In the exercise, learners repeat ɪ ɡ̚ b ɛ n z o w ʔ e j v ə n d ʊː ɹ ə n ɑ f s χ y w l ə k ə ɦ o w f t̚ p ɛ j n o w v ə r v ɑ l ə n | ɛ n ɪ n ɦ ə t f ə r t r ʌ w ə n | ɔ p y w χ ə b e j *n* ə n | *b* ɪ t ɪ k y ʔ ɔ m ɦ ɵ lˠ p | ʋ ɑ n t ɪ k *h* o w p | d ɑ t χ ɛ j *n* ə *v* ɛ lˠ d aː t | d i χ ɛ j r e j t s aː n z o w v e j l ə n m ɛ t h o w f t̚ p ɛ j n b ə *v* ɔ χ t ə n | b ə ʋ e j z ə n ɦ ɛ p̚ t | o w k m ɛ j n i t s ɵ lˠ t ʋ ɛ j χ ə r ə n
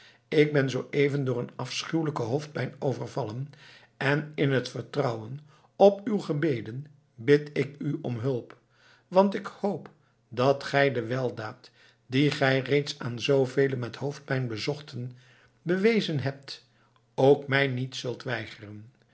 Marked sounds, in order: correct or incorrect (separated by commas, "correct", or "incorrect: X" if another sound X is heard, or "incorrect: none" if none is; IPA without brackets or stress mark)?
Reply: incorrect: d, correct, correct, incorrect: d, incorrect: ʋ, incorrect: z